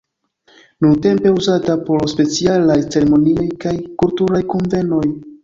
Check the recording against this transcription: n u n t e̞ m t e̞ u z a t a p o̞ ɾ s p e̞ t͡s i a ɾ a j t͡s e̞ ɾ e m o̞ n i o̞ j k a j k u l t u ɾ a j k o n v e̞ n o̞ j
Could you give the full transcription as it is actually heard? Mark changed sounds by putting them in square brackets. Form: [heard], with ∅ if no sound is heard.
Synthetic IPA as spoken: n u n t e̞ m [p] e̞ u z a t a p o̞ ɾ s p e̞ t͡s i a [l] a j t͡s e̞ ɾ e m o̞ n i o̞ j k a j k u l t u ɾ a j k o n v e̞ n o̞ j